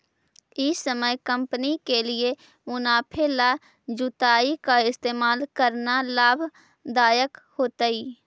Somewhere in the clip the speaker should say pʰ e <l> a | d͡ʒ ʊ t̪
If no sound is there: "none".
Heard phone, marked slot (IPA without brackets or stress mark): l